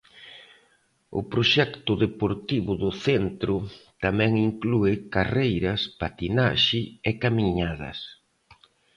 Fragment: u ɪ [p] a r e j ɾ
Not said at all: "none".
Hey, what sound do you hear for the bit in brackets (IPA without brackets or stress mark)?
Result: k